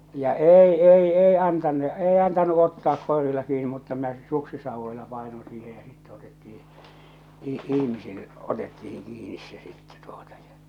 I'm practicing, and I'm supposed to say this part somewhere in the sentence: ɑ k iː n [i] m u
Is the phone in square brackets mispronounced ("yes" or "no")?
no